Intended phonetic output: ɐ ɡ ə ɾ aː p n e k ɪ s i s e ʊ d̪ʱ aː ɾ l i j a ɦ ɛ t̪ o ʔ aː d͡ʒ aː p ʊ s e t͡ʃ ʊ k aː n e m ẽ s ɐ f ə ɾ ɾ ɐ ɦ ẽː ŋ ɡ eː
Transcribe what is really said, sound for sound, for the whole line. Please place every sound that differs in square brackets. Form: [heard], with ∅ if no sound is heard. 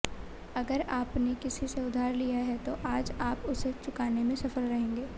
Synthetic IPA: ɐ ɡ ə ɾ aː p n e k ɪ s i s e ʊ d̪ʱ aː ɾ l i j a ɦ ɛ t̪ o ʔ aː d͡ʒ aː p ʊ s e t͡ʃ ʊ k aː n e m ẽ s ɐ f ə ɾ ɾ ɐ ɦ ẽː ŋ ɡ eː